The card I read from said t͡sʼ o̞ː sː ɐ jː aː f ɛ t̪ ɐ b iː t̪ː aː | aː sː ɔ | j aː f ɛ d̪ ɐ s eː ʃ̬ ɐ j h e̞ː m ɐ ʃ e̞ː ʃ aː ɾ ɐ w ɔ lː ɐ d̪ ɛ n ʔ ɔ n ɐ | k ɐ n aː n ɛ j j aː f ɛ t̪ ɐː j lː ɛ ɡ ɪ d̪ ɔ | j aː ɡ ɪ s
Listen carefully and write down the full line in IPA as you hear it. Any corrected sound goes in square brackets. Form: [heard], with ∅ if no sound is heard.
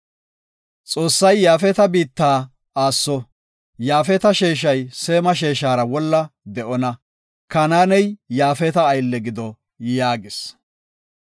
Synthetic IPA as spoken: t͡sʼ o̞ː sː ɐ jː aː f ɛ t̪ ɐ b iː t̪ː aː | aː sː ɔ | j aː f ɛ [t̪] ɐ [ʃ] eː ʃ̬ ɐ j [s] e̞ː m ɐ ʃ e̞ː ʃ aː ɾ ɐ w ɔ lː ɐ d̪ ɛ [∅] ʔ ɔ n ɐ | k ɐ n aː n ɛ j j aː f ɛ t̪ ɐː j lː ɛ ɡ ɪ d̪ ɔ | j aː ɡ ɪ s